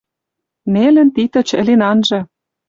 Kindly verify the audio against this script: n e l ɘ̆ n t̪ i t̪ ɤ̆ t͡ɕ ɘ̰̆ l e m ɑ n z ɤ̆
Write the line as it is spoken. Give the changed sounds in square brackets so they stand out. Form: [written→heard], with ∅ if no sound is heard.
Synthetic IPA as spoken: n e l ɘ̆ n t̪ i t̪ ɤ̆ t͡ɕ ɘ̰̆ l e [m→n] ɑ n [z→ʒ] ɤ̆